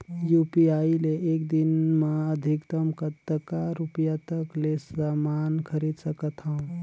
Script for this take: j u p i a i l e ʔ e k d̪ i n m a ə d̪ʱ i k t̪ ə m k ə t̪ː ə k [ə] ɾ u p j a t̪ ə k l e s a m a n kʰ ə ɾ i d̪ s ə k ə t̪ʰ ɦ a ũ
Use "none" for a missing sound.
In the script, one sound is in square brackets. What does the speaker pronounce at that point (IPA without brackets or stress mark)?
a